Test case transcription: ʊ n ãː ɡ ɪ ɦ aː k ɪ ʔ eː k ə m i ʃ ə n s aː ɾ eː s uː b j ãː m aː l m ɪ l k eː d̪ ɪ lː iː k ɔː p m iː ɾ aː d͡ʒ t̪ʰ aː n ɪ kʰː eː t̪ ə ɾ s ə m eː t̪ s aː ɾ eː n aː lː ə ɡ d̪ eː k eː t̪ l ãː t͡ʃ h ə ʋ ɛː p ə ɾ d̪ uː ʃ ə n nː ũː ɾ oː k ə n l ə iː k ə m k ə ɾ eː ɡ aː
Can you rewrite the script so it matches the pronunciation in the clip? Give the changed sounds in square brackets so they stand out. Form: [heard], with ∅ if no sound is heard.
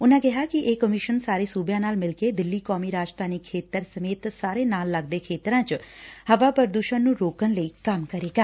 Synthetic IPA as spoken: ʊ n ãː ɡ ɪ ɦ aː k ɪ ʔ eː k ə m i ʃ ə n s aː ɾ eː s uː b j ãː [n] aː l m ɪ l k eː d̪ ɪ lː iː k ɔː [∅] m iː ɾ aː d͡ʒ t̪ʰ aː n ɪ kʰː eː t̪ ə ɾ s ə m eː t̪ s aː ɾ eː n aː lː ə ɡ d̪ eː [kʰ] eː t̪ [ɾ] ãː t͡ʃ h ə ʋ [aː] p ə ɾ d̪ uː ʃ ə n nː ũː ɾ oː k ə n l ə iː k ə m k ə ɾ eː ɡ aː